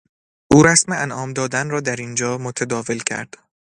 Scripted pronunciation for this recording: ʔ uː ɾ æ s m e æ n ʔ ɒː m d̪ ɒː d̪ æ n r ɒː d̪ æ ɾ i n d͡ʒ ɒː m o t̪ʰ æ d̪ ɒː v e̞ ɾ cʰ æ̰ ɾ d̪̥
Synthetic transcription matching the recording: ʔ uː ɾ æ s m e æ n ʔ ɒː m d̪ ɒː d̪ æ n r ɒː d̪ æ ɾ i n d͡ʒ ɒː m o t̪ʰ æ d̪ ɒː v e̞ l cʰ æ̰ ɾ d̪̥